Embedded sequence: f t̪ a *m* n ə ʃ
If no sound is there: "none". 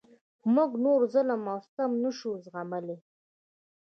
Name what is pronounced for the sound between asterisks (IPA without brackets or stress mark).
m